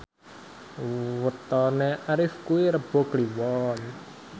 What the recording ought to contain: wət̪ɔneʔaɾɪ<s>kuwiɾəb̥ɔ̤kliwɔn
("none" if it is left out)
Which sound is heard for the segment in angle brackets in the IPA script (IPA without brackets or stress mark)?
f